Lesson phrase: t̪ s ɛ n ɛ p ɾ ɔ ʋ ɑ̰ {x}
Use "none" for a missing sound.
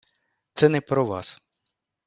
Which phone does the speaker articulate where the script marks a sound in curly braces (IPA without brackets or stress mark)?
s